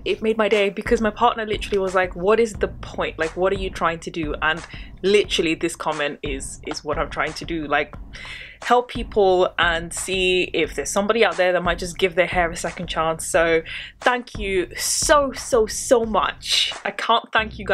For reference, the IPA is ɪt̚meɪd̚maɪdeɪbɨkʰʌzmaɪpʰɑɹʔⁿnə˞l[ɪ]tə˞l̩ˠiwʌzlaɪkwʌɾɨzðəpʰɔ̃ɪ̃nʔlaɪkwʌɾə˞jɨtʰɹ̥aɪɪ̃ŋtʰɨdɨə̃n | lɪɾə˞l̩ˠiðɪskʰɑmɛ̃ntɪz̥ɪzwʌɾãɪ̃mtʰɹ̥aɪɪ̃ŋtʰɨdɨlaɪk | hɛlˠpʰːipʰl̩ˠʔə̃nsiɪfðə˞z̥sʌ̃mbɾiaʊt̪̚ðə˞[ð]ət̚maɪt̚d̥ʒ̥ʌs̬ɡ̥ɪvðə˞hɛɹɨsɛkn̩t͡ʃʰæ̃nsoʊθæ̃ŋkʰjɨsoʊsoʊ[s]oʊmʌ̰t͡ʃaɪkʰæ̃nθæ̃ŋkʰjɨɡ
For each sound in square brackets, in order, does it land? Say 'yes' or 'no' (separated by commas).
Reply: yes, yes, yes